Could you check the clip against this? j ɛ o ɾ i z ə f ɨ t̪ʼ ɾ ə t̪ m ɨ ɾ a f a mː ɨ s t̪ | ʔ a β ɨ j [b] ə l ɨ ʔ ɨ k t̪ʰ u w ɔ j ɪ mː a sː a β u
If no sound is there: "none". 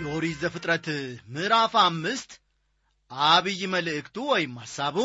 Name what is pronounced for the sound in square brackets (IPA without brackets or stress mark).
m